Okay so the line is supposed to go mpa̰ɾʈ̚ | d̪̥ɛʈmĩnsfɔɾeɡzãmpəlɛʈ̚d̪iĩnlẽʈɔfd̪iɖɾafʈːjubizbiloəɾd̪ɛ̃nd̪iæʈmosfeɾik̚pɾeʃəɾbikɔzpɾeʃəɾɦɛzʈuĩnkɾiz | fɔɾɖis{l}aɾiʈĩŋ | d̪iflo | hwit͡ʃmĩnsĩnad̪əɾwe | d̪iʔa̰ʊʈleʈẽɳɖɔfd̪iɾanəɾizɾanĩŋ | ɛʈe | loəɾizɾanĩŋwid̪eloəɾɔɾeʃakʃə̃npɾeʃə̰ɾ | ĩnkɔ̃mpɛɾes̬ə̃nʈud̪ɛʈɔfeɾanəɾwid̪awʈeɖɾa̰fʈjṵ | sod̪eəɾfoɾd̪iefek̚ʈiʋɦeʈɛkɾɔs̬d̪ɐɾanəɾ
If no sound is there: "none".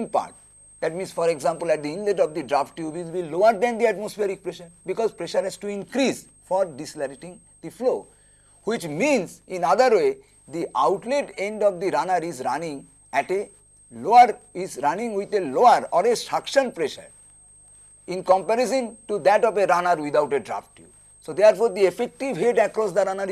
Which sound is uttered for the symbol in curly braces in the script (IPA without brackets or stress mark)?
l